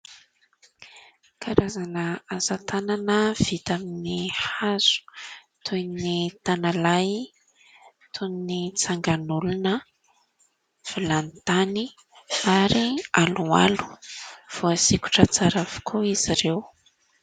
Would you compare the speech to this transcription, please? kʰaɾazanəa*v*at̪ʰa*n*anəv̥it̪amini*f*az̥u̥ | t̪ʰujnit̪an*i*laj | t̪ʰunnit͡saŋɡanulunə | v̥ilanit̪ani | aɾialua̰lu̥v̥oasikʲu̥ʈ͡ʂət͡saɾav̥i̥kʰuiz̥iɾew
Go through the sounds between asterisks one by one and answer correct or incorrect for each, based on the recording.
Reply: incorrect: z, correct, incorrect: h, incorrect: a

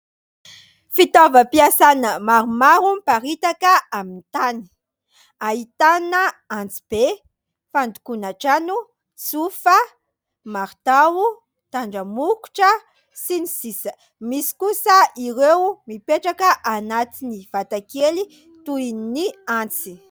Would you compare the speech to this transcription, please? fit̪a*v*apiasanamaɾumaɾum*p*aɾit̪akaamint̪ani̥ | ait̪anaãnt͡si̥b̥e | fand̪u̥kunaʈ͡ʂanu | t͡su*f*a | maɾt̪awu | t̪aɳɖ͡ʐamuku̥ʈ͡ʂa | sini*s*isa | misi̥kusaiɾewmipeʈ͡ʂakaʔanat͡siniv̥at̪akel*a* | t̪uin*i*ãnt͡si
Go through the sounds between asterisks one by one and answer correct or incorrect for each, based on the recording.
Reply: correct, correct, correct, correct, incorrect: i, correct

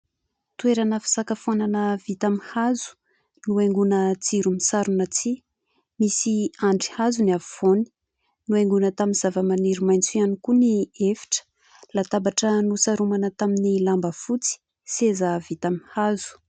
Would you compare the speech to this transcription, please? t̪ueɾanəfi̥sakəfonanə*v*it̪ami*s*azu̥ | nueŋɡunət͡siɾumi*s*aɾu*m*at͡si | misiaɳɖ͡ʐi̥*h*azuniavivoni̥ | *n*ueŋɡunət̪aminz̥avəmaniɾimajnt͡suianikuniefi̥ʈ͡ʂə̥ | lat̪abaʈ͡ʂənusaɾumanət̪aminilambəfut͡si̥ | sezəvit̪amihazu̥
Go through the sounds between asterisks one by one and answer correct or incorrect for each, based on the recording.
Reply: correct, incorrect: h, correct, incorrect: n, correct, correct

